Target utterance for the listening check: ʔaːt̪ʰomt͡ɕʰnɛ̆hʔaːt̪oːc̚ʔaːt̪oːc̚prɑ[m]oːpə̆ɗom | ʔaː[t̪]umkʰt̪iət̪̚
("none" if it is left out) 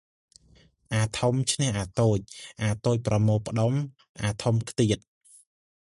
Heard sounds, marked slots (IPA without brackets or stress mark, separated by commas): m, t̪ʰ